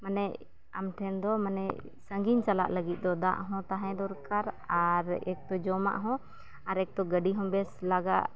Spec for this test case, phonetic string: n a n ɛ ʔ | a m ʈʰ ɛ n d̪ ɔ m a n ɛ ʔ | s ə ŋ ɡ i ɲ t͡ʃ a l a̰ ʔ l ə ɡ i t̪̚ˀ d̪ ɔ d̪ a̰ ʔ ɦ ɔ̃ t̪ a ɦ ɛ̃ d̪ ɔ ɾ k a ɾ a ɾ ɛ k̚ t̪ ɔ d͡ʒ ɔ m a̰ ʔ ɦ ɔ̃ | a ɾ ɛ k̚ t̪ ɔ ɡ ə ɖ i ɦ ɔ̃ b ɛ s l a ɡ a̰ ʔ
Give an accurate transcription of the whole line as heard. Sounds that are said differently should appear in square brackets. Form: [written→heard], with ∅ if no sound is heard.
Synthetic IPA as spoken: [n→m] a n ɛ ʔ | a m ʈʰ ɛ n d̪ ɔ m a n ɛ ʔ | s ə ŋ ɡ i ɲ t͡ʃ a l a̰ ʔ l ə ɡ i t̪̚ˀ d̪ ɔ d̪ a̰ ʔ ɦ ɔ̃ t̪ a ɦ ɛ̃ d̪ ɔ ɾ k a ɾ a ɾ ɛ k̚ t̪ ɔ d͡ʒ ɔ m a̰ ʔ ɦ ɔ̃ | a ɾ ɛ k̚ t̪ ɔ ɡ ə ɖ i ɦ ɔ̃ b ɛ s l a ɡ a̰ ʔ